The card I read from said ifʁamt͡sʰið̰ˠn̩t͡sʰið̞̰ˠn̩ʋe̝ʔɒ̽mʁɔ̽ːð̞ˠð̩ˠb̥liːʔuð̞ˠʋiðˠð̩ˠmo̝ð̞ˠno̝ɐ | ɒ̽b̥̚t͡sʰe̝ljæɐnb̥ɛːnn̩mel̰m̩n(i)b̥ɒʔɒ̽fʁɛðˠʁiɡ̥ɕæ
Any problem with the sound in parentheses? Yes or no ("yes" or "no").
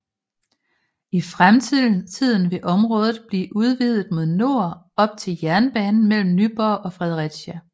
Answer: yes